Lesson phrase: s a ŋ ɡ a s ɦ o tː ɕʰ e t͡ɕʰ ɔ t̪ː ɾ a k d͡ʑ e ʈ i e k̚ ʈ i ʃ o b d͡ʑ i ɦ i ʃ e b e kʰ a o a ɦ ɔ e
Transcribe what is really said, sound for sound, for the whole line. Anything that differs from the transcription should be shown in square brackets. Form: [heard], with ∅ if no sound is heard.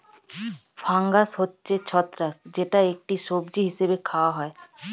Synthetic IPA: [f] a ŋ ɡ a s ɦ o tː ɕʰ e t͡ɕʰ ɔ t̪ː ɾ a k d͡ʑ e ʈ [a] e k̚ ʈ i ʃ o b d͡ʑ i ɦ i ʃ e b e kʰ a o a ɦ ɔ e

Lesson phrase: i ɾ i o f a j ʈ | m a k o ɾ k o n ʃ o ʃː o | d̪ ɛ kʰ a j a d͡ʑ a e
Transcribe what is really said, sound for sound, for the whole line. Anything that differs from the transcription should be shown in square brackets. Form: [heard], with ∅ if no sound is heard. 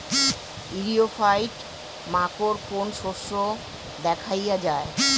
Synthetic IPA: i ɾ i o f a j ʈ | m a k o ɾ k o n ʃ o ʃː o | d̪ ɛ kʰ a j a d͡ʑ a e

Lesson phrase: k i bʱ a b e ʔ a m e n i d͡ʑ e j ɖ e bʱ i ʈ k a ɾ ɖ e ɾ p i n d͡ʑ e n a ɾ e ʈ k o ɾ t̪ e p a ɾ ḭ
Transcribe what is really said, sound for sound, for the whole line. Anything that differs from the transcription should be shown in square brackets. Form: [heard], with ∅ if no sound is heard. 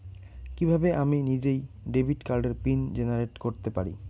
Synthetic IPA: k i bʱ a b e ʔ a m [i] n i d͡ʑ e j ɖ e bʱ i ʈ k a ɾ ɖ e ɾ p i n d͡ʑ e n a ɾ e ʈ k o ɾ t̪ e p a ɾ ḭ

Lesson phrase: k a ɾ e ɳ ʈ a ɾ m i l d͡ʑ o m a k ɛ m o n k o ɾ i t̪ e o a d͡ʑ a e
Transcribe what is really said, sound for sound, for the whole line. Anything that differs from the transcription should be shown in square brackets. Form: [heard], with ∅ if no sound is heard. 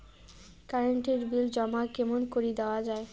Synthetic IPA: k a ɾ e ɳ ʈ [i] ɾ [b] i l d͡ʑ [ɔ] m a k ɛ m o n k o ɾ i [d̪] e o a d͡ʑ a e

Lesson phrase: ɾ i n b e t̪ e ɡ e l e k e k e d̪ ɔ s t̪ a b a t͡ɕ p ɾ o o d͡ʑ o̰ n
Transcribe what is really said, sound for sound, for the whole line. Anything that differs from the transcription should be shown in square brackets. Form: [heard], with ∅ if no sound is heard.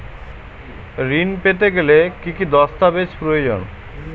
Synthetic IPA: ɾ i n [p] e t̪ e ɡ e l e k [i] k [i] d̪ ɔ s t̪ a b [e] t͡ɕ p ɾ o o d͡ʑ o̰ n

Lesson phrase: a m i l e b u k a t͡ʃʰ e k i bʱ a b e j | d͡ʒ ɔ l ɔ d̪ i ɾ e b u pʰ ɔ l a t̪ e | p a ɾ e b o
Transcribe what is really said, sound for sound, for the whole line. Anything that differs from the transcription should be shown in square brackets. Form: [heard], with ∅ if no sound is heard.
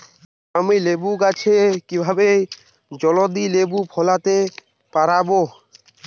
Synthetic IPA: a m i l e b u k a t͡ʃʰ e k i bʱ a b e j | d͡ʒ ɔ l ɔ d̪ i [l] e b u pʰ ɔ l a t̪ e | p a ɾ [a] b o

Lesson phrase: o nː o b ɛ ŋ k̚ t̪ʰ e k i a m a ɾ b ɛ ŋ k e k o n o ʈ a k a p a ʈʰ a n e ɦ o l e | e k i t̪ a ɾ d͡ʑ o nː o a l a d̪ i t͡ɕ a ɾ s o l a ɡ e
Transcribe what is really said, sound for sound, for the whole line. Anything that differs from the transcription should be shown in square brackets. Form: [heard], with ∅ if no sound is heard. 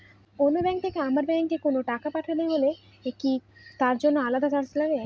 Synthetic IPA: o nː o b ɛ ŋ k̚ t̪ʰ e k [e] a m a ɾ b ɛ ŋ k e k o n o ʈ a k a p a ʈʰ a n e ɦ o l e | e k i t̪ a ɾ d͡ʑ o nː o a l a d̪ [a] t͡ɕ a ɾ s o l a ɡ e

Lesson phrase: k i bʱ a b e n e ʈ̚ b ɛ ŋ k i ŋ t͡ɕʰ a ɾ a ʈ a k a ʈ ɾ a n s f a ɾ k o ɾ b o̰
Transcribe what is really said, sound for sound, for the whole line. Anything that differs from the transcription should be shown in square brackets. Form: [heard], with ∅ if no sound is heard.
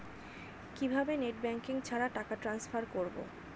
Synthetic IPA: k i bʱ a b e n e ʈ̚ b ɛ ŋ k i ŋ t͡ɕʰ a ɾ a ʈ a k a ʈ ɾ a n s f a ɾ k o ɾ b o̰

